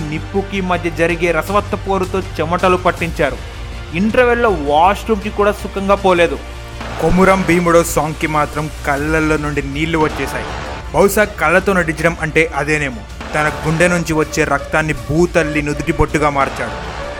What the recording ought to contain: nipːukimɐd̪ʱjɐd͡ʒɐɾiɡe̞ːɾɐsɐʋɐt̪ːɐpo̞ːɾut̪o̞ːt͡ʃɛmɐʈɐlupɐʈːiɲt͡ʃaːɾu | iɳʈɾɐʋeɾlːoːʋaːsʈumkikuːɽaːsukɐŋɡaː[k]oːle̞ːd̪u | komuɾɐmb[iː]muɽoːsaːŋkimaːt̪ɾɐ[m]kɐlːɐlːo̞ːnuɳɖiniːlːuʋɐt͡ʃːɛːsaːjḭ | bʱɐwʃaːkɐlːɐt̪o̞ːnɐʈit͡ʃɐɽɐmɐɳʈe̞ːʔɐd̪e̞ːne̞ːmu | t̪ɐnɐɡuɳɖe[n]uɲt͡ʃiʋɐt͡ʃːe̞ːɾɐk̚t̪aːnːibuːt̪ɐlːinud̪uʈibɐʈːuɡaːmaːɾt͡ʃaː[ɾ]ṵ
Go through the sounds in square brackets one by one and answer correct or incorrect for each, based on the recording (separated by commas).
incorrect, correct, correct, correct, incorrect